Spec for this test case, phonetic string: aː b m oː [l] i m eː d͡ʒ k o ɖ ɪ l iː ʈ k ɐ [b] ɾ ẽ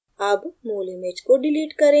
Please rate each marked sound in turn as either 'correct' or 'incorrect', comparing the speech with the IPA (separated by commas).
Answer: correct, incorrect